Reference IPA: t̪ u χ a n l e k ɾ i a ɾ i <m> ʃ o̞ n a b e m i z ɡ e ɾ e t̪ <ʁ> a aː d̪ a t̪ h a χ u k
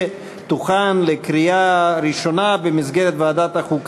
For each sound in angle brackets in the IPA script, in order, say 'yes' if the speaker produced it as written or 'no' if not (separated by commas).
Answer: no, no